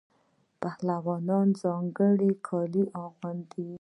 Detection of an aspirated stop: present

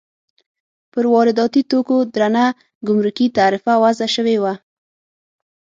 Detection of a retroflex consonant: absent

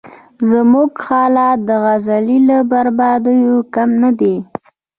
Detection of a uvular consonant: absent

